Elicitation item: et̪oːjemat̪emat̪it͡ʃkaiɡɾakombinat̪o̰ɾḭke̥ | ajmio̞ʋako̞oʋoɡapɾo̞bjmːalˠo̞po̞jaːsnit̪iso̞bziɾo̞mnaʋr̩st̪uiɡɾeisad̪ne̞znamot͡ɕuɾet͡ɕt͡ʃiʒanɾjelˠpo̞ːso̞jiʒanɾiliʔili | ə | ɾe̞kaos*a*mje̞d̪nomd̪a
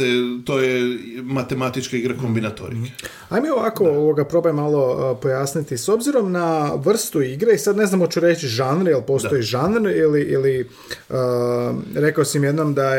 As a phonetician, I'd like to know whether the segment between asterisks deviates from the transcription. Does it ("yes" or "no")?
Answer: yes